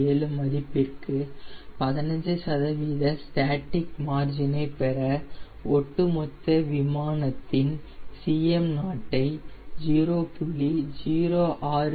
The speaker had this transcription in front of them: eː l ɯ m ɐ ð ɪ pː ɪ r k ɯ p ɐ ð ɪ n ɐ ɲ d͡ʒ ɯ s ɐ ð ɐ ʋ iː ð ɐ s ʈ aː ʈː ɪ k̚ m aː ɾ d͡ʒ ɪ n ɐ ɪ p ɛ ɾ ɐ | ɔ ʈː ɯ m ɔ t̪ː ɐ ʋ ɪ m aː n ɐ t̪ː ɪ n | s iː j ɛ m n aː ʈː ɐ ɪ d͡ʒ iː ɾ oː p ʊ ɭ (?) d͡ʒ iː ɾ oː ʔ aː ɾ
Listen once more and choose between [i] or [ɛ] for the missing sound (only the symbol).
i